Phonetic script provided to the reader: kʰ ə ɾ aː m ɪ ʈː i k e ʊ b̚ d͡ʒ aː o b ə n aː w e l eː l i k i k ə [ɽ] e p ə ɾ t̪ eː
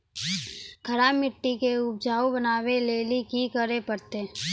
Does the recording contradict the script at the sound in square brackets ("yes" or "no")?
yes